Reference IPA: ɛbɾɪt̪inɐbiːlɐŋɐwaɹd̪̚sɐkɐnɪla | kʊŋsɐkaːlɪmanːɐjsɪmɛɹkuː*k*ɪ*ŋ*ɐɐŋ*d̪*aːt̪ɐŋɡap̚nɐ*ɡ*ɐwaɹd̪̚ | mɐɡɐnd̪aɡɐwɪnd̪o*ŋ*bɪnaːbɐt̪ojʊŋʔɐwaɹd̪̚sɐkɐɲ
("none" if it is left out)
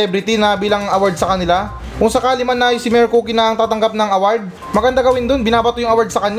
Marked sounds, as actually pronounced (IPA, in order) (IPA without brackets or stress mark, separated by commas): k, n, t̪, ŋ, n